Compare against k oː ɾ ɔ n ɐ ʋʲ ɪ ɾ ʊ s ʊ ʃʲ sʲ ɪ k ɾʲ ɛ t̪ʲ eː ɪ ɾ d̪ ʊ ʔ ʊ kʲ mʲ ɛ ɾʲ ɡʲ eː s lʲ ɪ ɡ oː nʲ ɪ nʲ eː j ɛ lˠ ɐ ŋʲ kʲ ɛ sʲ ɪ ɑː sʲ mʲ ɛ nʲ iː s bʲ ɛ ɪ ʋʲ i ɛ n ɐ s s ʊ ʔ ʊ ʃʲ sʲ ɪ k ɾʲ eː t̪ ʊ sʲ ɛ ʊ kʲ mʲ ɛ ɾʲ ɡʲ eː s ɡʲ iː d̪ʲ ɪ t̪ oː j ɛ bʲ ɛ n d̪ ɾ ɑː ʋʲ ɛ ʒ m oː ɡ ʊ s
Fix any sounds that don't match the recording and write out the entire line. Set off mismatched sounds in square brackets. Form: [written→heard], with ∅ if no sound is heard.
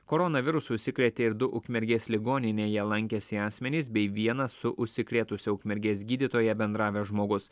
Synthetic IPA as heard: k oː ɾ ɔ n ɐ ʋʲ ɪ ɾ ʊ s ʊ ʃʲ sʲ ɪ k ɾʲ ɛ t̪ʲ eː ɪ ɾ d̪ ʊ ʔ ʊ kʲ mʲ ɛ ɾʲ ɡʲ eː s lʲ ɪ ɡ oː nʲ ɪ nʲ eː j ɛ lˠ ɐ ŋʲ kʲ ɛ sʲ ɪ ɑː sʲ mʲ ɛ nʲ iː s bʲ ɛ ɪ ʋʲ i ɛ n ɐ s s ʊ ʔ ʊ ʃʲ sʲ ɪ k ɾʲ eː t̪ ʊ sʲ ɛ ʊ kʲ mʲ ɛ ɾʲ ɡʲ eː s ɡʲ iː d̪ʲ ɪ t̪ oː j ɛ bʲ ɛ n d̪ ɾ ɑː ʋʲ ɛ ʒ m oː ɡ ʊ s